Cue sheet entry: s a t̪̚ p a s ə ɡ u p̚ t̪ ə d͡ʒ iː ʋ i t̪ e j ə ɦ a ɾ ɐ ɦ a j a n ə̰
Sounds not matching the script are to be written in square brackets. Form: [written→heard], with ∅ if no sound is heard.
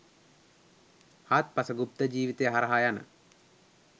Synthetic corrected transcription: [s→h] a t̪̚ p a s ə ɡ u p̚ t̪ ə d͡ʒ iː ʋ i t̪ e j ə ɦ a ɾ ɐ ɦ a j a n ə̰